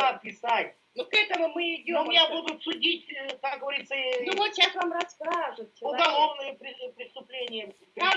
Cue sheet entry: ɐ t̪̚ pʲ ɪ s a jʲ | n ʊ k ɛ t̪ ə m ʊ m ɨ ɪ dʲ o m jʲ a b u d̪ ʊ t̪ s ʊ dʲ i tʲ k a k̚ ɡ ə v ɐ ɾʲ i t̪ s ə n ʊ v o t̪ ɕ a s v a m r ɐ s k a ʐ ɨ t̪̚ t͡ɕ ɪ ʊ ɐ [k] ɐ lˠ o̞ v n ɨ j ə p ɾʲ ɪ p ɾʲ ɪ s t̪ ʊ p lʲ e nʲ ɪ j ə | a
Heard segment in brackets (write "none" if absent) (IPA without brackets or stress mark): ɡ